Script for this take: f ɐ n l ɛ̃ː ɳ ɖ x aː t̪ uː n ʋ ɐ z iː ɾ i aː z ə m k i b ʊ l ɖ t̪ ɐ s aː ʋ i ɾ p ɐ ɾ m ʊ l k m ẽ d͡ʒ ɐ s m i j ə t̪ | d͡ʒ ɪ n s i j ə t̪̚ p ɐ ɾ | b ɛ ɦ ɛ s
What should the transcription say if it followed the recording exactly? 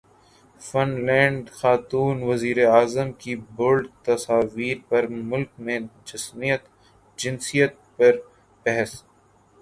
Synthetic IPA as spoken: f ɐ n l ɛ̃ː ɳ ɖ x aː t̪ uː n ʋ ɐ z iː ɾ e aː z ə m k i b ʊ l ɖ t̪ ɐ s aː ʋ iː ɾ p ɐ ɾ m ʊ l k m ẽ d͡ʒ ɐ s m i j ə t̪ | d͡ʒ ɪ n s i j ə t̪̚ p ɐ ɾ | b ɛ ɦ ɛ s

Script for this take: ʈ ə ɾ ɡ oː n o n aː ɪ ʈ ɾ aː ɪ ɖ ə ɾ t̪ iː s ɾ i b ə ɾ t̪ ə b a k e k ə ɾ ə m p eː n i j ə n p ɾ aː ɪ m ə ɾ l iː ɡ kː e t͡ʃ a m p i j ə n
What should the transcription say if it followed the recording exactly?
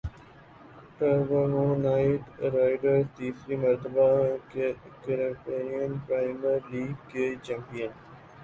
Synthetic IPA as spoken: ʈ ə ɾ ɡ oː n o n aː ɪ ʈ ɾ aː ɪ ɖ ə ɾ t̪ iː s ɾ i m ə ɾ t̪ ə b a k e k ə ɾ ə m p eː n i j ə n p ɾ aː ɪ m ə ɾ l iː ɡ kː e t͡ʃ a m p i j ə n

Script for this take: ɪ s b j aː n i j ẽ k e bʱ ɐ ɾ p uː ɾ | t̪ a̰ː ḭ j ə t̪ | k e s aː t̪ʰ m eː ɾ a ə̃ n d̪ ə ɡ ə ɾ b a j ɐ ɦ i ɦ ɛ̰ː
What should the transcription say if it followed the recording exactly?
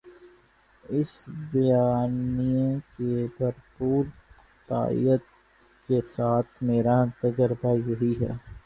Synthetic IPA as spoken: ɪ s b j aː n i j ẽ k e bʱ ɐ ɾ p uː ɾ | t̪ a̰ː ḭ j ə t̪ | k e s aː t̪ʰ m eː ɾ a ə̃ n t̪ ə ɡ ə ɾ b a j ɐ ɦ i ɦ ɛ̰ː

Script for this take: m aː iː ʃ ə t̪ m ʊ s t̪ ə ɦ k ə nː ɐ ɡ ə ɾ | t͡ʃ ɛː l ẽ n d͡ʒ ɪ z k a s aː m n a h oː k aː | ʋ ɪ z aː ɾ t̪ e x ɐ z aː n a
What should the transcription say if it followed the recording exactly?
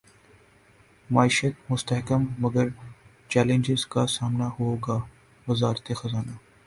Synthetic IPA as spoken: m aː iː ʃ ə t̪ m ʊ s t̪ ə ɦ k ə mː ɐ ɡ ə ɾ | t͡ʃ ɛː l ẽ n d͡ʒ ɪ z k a s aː m n a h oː ɡ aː | ʋ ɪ z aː ɾ t̪ e x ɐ z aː n a

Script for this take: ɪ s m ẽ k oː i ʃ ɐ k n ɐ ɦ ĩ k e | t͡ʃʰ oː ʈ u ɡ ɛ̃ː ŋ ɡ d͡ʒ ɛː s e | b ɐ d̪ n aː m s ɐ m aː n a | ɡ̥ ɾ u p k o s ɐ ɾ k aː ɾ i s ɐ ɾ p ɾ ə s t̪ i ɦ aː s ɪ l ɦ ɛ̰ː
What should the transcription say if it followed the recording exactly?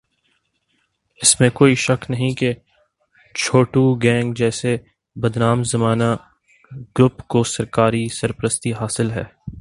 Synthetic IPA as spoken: ɪ s m ẽ k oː i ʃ ɐ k n ɐ ɦ ĩ k e | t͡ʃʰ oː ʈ u ɡ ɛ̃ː ŋ ɡ d͡ʒ ɛː s e | b ɐ d̪ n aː m z ɐ m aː n a | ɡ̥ ɾ ʊ p k o s ɐ ɾ k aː ɾ i s ɐ ɾ p ɾ ə s t̪ i ɦ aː s ɪ l ɦ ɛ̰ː

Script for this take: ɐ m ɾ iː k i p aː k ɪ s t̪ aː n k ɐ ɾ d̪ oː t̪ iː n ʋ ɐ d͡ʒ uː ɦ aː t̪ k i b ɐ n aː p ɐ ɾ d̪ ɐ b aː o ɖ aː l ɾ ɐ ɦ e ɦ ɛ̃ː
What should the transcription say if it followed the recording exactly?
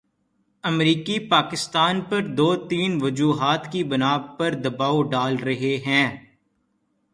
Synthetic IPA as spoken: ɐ m ɾ iː k i p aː k ɪ s t̪ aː n p ɐ ɾ d̪ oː t̪ iː n ʋ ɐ d͡ʒ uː ɦ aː t̪ k i b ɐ n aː p ɐ ɾ d̪ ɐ b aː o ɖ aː l ɾ ɐ ɦ e ɦ ɛ̃ː

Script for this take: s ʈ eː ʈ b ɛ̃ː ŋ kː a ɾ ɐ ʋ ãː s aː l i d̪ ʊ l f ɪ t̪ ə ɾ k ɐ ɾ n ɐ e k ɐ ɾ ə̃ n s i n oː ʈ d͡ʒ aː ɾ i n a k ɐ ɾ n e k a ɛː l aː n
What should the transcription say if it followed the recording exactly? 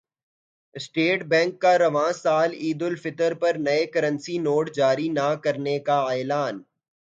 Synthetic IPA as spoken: s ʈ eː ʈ b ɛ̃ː ŋ kː a ɾ ɐ ʋ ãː s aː l iː d̪ ʊ l f ɪ t̪ ə ɾ p ɐ ɾ n ɐ e k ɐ ɾ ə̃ n s i n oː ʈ d͡ʒ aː ɾ i n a k ɐ ɾ n e k a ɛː l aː n

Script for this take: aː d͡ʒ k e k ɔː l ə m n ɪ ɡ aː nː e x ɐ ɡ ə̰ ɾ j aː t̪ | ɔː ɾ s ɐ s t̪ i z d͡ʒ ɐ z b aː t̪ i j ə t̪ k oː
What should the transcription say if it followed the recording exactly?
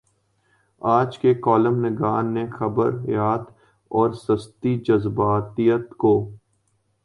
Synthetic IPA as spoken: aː d͡ʒ k e k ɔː l ə m n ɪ ɡ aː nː e x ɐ b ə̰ ɾ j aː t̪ | ɔː ɾ s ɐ s t̪ i d͡ʒ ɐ z b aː t̪ i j ə t̪ k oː

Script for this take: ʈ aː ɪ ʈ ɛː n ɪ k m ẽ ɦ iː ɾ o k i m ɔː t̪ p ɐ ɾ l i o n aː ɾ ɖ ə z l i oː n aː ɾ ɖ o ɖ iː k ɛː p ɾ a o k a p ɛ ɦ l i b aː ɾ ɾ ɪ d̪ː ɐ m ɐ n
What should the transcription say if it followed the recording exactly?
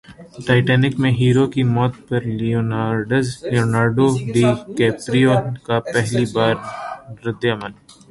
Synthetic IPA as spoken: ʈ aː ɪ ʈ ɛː n ɪ k m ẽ ɦ iː ɾ o k i m ɔː t̪ p ɐ ɾ l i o n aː ɾ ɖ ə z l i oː n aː ɾ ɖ o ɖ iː k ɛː p ɾ i o k a p ɛ ɦ l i b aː ɾ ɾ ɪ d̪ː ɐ m ə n

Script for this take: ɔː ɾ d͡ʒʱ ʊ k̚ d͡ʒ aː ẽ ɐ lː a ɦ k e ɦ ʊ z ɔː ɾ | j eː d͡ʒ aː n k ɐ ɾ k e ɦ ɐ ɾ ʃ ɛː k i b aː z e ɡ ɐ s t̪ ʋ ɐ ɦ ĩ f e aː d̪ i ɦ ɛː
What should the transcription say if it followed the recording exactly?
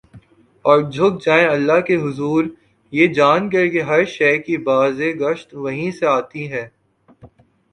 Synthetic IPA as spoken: ɔː ɾ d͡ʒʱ ʊ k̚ d͡ʒ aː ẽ ɐ lː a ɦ k e ɦ ʊ z uː ɾ | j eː d͡ʒ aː n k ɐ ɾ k e ɦ ɐ ɾ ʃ ɛː k i b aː z e ɡ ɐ ʃ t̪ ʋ ɐ ɦ ĩ s e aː t̪ i ɦ ɛː

